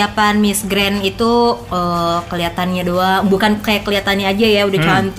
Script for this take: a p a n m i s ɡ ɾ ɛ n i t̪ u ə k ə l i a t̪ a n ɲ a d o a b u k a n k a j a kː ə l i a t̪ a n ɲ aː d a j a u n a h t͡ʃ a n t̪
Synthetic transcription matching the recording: a p a n m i s ɡ ɾ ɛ n i t̪ u ə k ə l i a t̪ a n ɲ a d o a b u k a n k a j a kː ə l i a t̪ a n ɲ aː d͡ʒ a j a u d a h t͡ʃ a n t̪